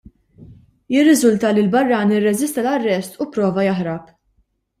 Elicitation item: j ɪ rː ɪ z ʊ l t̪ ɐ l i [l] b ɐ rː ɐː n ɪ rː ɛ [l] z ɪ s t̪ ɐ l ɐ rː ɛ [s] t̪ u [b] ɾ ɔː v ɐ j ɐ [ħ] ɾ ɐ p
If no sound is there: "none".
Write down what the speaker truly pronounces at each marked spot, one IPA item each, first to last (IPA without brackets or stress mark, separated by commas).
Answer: l, none, s, p, ħ